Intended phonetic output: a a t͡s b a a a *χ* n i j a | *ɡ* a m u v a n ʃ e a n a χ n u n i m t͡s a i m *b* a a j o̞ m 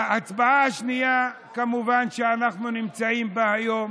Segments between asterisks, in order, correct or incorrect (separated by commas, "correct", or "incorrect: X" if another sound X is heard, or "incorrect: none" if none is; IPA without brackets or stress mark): incorrect: ʃ, incorrect: k, correct